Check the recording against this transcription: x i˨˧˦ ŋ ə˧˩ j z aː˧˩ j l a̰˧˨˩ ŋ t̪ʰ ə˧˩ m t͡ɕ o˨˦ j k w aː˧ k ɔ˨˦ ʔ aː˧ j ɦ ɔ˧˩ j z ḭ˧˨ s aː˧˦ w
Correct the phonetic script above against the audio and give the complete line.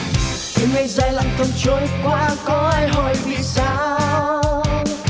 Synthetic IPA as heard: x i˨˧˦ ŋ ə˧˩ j z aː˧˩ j l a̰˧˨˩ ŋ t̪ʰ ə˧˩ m t͡ɕ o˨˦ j k w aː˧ k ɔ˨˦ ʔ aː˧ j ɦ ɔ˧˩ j v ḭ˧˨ s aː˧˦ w